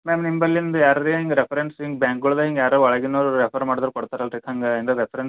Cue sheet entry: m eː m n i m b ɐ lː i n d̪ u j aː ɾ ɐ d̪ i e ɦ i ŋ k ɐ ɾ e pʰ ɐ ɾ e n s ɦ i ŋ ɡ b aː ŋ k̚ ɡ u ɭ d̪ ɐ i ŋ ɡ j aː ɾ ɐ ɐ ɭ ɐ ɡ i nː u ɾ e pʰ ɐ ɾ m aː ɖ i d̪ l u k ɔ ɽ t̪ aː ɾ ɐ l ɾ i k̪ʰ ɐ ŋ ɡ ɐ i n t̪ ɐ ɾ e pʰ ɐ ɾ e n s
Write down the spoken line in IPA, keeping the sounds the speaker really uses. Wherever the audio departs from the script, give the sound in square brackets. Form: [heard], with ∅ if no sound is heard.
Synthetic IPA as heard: m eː m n i m b ɐ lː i n d̪ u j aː ɾ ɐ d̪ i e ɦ i ŋ [ɡ] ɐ ɾ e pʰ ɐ ɾ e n s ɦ i ŋ ɡ b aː ŋ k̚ ɡ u ɭ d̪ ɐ i ŋ ɡ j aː ɾ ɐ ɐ ɭ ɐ ɡ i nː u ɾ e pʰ ɐ ɾ m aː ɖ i d̪ [ɾ] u k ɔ ɽ t̪ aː ɾ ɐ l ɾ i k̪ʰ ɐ ŋ ɡ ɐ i n [d̪] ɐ ɾ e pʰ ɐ ɾ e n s